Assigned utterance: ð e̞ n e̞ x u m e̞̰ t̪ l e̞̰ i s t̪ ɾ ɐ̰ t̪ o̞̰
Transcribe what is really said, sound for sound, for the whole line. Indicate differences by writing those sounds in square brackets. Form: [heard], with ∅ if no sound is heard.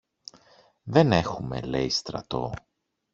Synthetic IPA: ð e̞ n e̞ x u m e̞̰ [∅] l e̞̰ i s t̪ ɾ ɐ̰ t̪ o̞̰